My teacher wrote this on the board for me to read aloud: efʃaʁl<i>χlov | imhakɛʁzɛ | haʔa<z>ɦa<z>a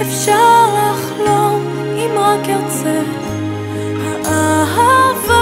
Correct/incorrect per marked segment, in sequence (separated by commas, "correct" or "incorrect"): incorrect, incorrect, incorrect